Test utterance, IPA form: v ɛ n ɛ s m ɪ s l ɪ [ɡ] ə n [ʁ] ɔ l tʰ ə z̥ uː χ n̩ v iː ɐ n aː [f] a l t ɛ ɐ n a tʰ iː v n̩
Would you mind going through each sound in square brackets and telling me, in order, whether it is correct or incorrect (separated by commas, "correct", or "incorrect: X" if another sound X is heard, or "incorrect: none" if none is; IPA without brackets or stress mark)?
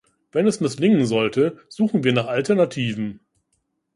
incorrect: ŋ, incorrect: z, incorrect: χ